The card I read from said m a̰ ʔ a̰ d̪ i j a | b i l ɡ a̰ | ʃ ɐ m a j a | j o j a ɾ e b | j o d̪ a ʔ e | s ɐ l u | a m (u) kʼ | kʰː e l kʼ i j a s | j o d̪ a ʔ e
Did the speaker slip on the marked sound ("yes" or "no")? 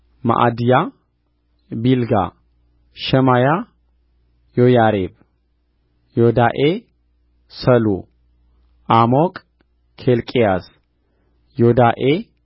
yes